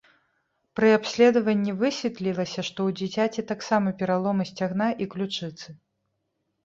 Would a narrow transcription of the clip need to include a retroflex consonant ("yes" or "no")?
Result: yes